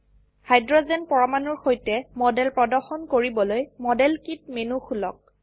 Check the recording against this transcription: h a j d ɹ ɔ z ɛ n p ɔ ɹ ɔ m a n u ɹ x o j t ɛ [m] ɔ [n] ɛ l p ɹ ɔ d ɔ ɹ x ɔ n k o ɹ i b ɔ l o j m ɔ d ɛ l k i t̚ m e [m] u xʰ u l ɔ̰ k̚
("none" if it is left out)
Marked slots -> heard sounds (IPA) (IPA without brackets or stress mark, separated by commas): m, d, n